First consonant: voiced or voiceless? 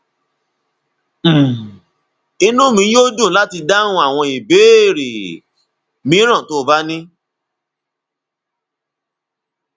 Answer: voiced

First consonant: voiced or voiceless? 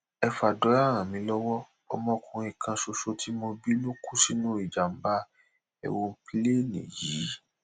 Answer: voiceless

